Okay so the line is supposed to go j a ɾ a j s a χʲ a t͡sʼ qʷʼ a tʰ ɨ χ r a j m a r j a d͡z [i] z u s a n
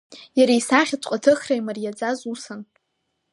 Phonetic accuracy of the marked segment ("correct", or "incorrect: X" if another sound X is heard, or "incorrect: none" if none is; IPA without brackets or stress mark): incorrect: a